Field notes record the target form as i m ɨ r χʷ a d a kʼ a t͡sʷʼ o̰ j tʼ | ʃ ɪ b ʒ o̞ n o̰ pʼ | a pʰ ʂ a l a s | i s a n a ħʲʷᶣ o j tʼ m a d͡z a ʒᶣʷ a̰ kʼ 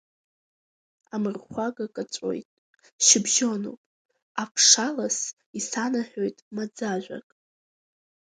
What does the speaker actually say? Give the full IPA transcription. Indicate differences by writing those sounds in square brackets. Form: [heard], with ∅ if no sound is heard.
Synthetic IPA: [a] m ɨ r χʷ a [ɡ] a kʼ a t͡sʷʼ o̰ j tʼ | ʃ ɪ b ʒ o̞ n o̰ pʼ | a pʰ ʂ a l a s | i s a n a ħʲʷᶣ o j tʼ m a d͡z a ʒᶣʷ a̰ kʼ